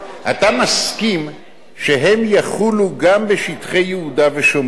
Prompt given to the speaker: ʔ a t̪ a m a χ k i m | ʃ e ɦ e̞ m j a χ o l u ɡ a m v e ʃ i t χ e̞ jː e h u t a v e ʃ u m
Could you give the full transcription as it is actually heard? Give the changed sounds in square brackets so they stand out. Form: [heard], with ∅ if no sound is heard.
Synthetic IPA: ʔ a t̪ a m a [s] k i m | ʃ e ɦ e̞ m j a χ [u] l u ɡ a m [b] e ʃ i t χ e̞ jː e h u [d] a v e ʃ [o] m